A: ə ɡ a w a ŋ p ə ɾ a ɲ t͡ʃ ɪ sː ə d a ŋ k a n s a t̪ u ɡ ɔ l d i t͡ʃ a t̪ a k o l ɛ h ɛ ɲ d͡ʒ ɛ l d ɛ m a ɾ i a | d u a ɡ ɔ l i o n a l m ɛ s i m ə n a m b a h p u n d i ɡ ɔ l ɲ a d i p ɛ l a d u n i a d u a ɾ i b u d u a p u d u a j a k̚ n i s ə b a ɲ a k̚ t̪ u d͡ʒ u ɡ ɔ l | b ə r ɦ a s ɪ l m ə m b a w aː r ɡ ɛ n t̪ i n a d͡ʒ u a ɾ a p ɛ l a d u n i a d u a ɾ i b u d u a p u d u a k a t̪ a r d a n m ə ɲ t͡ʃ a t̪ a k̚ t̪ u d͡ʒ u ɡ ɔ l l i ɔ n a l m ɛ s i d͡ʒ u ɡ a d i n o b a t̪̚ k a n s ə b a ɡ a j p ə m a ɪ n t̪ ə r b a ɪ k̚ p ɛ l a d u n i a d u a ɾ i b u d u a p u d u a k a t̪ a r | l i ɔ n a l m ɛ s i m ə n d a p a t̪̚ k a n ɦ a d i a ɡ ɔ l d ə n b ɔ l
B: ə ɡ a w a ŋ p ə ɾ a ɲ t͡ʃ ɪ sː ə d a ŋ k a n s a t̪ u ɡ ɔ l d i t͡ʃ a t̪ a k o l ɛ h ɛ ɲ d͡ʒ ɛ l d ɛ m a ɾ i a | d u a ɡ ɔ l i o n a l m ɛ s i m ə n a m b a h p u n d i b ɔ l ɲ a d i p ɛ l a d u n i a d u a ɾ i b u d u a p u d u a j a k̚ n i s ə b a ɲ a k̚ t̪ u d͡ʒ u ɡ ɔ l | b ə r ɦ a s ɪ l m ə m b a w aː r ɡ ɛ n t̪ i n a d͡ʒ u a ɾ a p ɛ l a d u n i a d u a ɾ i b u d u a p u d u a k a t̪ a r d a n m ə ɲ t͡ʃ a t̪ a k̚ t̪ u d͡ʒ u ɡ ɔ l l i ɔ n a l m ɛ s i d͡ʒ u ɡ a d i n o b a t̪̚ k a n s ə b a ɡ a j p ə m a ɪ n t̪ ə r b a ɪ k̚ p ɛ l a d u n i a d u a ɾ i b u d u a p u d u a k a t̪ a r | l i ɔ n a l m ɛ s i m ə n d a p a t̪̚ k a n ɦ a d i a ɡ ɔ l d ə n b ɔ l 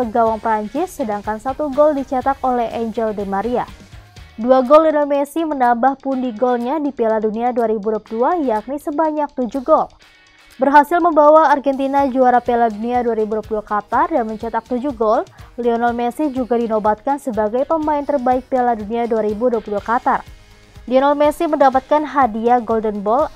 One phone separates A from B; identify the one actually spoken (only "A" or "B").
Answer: A